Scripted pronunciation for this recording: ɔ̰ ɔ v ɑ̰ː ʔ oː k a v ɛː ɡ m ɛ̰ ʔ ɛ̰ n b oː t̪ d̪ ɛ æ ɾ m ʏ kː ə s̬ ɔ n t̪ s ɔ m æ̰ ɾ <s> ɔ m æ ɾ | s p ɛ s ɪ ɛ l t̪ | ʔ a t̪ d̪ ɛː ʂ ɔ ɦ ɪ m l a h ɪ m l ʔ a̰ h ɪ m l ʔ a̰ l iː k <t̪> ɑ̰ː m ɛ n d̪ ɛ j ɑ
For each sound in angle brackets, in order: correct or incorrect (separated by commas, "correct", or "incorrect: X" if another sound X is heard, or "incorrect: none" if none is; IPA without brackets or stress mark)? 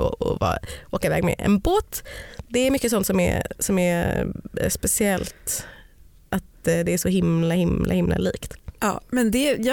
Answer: correct, correct